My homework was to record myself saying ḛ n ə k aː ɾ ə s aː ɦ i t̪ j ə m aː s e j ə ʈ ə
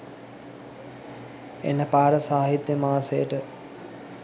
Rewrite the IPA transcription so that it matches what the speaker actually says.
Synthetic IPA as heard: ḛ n ə p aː ɾ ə s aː ɦ i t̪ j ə m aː s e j ə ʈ ə